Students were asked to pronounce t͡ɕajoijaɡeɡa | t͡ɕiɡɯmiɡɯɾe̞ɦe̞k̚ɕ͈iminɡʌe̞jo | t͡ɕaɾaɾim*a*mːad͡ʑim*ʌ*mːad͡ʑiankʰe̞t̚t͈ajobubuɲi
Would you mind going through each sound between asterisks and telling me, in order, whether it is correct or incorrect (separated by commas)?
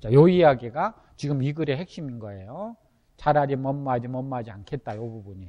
incorrect, correct